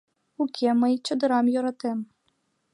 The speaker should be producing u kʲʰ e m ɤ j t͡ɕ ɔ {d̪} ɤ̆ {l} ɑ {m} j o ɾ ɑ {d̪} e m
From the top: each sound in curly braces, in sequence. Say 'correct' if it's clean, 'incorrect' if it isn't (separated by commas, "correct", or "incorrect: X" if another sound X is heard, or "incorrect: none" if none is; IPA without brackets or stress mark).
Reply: correct, incorrect: ɾ, correct, incorrect: t̪